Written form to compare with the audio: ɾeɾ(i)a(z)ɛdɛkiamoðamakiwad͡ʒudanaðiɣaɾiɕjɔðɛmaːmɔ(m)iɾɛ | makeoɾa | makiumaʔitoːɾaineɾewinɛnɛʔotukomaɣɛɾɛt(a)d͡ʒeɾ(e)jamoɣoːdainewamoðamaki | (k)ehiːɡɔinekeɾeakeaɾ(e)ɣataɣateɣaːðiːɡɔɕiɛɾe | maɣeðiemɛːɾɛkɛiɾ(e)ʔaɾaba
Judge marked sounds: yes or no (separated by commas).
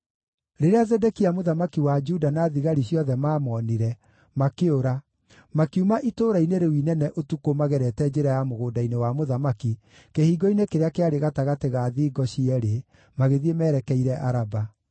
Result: no, yes, no, no, no, yes, yes, no